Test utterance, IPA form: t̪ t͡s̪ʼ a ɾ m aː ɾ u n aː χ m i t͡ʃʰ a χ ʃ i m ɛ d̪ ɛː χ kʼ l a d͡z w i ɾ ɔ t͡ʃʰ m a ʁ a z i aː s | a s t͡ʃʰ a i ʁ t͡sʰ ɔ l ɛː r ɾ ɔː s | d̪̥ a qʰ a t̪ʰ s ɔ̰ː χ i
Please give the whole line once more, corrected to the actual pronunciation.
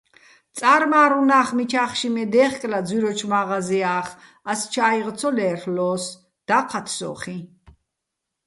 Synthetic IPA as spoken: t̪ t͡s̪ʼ a ɾ m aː ɾ u n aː χ m i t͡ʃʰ a χ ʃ i m ɛ d̪ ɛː χ kʼ l a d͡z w i ɾ ɔ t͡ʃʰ m a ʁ a z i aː χ | a s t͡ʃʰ a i ʁ t͡sʰ ɔ l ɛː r l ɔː s | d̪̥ a qʰ a t̪ʰ s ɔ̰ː χ i